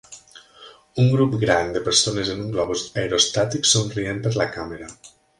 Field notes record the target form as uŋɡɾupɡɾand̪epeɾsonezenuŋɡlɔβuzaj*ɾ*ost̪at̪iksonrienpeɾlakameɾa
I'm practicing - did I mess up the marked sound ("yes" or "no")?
no